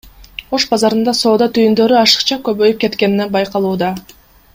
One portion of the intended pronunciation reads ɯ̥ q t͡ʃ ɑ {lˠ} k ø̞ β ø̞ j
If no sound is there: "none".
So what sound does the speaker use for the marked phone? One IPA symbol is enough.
none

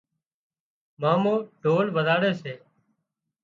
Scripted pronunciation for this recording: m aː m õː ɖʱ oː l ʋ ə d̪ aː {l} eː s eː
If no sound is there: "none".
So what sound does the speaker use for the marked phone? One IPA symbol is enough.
ɽ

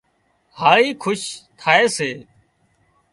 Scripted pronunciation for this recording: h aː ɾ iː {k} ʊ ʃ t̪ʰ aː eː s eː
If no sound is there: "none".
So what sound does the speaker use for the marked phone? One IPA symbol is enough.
kʰ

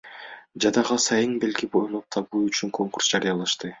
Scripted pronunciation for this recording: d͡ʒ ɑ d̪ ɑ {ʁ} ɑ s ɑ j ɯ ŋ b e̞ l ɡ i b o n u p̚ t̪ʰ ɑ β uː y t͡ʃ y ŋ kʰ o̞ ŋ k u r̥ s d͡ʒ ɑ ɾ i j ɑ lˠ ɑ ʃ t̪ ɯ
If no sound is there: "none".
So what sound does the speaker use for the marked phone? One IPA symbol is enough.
ʁ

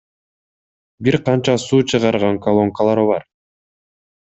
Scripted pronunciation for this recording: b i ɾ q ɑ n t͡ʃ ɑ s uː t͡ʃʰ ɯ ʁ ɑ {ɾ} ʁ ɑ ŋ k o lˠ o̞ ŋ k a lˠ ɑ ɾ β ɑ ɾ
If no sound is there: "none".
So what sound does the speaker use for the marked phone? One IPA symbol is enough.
ɾ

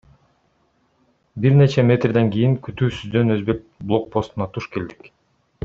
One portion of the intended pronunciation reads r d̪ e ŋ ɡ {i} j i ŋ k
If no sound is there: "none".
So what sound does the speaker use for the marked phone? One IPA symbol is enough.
i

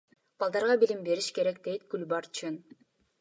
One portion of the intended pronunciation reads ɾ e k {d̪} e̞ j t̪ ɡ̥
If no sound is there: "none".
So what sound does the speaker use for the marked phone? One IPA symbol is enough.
d̪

